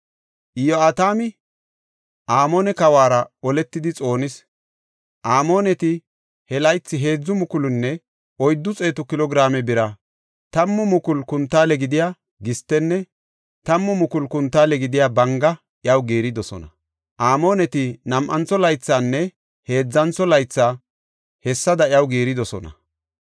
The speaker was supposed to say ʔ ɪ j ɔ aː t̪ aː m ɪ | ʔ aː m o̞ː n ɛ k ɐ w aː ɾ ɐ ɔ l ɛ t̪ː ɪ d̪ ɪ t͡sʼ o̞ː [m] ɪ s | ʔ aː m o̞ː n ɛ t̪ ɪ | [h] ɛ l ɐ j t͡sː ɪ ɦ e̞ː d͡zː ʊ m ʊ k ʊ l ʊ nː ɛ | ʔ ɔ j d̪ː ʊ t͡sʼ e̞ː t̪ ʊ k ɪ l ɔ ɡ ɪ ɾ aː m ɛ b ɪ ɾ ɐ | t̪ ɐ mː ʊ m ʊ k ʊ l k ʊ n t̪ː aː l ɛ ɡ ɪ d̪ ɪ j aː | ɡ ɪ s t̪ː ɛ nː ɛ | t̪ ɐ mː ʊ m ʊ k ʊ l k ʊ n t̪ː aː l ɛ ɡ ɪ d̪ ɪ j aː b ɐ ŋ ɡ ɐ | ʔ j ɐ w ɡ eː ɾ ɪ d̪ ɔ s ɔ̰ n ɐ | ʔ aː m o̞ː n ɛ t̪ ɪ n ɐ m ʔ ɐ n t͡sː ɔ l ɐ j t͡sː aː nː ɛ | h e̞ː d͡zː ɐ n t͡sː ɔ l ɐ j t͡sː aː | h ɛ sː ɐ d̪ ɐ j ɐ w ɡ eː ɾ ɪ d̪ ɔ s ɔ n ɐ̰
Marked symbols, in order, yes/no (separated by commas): no, yes